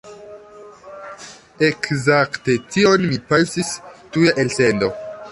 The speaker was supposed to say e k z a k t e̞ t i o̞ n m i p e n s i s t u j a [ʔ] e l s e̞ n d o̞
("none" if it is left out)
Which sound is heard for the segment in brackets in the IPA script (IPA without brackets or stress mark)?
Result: ʔ